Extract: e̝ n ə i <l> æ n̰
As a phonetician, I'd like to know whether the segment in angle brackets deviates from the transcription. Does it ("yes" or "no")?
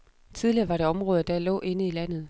no